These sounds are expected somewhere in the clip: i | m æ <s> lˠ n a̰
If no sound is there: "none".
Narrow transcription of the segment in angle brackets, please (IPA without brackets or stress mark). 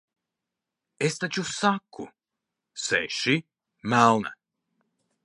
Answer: none